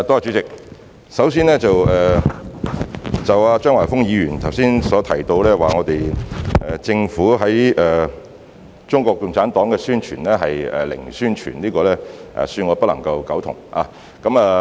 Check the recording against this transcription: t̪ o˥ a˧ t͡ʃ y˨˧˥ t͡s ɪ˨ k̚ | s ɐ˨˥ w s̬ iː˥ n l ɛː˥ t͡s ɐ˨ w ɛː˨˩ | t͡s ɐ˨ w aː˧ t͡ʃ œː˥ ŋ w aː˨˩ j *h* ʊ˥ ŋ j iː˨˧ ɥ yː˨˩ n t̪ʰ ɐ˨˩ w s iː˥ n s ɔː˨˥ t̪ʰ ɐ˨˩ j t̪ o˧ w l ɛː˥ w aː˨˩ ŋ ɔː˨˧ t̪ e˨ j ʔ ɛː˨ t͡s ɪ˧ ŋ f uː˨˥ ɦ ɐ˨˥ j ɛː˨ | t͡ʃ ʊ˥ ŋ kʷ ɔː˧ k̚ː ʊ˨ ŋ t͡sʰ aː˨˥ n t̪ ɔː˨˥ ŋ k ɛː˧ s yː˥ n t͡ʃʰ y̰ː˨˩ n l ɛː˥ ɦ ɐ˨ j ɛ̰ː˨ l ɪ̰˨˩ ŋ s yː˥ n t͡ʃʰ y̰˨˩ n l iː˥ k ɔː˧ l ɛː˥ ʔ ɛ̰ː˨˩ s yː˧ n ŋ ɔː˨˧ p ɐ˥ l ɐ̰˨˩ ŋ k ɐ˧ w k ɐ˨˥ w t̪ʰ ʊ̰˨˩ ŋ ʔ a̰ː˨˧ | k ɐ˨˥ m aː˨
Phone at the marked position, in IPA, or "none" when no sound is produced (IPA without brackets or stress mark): f